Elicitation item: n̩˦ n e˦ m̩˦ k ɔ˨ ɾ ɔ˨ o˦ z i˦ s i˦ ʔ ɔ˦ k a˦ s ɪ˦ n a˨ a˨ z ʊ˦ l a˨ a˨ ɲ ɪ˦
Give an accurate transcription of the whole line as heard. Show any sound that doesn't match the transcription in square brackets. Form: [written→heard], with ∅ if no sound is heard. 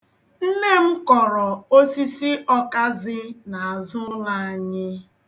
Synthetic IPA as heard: n̩˦ n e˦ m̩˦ k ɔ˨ ɾ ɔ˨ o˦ [z→s] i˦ s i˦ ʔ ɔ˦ k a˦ [s→z] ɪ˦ n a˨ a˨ z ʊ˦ l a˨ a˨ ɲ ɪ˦